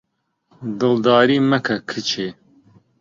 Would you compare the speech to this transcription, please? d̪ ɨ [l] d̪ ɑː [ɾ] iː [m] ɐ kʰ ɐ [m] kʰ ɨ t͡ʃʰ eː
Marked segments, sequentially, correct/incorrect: correct, correct, correct, incorrect

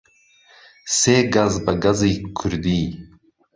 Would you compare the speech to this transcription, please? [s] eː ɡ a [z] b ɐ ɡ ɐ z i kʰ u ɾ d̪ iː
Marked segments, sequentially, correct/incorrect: correct, correct

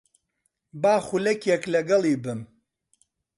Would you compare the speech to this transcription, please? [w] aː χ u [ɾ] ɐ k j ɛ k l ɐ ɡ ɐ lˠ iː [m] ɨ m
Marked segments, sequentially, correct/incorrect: incorrect, incorrect, incorrect

